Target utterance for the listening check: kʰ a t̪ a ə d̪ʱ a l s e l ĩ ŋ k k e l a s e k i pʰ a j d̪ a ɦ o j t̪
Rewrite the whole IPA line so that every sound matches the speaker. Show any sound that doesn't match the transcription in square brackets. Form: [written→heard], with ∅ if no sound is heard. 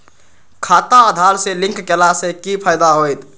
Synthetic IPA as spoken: kʰ a t̪ a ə d̪ʱ a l s e l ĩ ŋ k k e l a s e k i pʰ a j d̪ a ɦ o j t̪